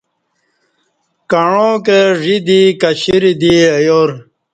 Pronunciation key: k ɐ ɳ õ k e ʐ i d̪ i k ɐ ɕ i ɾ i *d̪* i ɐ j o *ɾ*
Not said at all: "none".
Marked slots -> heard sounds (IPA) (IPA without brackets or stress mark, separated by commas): d̪, ɾ